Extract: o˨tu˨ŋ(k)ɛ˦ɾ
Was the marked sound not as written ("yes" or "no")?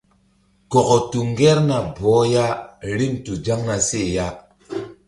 yes